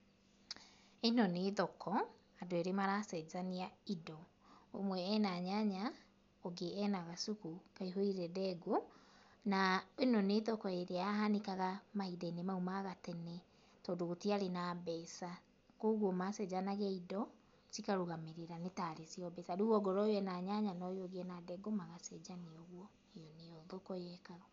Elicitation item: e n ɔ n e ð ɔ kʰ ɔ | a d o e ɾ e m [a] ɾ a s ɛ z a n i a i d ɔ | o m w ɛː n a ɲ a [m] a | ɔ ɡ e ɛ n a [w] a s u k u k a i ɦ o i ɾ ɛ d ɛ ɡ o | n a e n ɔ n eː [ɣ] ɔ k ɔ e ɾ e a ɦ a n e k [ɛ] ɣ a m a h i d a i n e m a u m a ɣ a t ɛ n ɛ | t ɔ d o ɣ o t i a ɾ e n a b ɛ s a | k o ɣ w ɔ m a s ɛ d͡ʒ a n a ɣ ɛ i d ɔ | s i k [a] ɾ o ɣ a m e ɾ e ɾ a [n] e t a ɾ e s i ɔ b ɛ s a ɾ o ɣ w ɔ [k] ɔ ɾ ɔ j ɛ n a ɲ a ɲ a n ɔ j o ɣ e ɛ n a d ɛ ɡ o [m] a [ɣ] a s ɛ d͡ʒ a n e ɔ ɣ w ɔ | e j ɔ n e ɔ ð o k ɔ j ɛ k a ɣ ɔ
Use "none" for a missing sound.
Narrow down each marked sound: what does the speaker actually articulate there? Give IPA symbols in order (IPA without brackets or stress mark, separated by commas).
a, ɲ, ɣ, ð, a, a, n, ɡ, m, ɣ